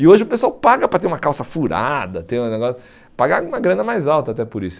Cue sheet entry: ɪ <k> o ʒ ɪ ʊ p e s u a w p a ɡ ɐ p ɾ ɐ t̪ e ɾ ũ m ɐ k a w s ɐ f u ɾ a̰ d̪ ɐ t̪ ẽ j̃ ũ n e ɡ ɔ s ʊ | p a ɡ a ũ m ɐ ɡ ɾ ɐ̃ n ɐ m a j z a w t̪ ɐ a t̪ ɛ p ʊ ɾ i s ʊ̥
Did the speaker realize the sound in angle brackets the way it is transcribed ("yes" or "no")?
no